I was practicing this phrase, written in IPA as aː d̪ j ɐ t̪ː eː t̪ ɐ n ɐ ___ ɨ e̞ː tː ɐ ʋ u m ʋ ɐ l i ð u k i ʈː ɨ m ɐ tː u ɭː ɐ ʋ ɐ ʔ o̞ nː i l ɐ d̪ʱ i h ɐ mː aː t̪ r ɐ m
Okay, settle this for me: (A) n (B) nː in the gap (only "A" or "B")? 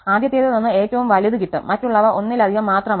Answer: B